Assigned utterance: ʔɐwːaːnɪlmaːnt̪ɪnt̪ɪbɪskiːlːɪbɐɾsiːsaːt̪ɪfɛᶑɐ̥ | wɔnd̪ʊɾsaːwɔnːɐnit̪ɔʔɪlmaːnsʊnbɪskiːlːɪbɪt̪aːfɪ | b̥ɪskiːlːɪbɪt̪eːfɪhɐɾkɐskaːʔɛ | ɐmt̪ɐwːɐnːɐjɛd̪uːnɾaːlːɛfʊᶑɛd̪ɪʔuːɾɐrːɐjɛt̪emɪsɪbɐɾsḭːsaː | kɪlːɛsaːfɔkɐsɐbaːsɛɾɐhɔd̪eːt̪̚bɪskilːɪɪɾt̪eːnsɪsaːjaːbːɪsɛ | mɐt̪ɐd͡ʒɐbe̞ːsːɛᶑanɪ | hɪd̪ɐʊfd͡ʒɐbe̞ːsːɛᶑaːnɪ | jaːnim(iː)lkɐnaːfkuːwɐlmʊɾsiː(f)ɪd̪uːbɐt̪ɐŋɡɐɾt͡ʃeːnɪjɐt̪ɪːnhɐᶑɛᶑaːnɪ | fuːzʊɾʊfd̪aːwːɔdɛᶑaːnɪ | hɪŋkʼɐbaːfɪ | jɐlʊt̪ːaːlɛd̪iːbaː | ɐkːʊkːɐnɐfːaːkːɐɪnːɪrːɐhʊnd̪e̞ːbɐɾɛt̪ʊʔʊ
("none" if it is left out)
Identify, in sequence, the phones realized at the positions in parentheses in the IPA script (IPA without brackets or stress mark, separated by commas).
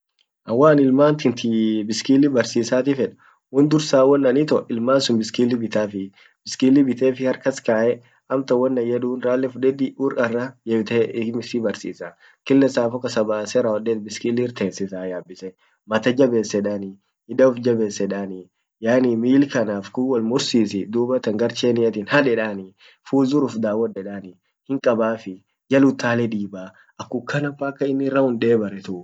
iː, s